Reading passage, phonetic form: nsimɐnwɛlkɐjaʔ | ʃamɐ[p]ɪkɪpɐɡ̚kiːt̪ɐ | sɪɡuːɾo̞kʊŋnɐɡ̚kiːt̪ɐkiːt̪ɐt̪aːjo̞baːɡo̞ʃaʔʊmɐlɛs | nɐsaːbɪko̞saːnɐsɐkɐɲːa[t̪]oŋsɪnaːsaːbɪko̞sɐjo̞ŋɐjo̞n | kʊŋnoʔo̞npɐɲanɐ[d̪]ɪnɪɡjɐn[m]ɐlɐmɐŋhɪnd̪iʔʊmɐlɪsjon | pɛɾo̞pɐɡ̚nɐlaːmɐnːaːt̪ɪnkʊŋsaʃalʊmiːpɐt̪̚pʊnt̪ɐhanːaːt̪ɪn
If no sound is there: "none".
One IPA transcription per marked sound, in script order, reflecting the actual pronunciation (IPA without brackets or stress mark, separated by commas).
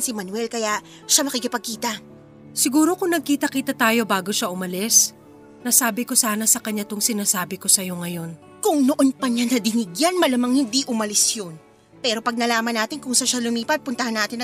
k, t̪, d̪, m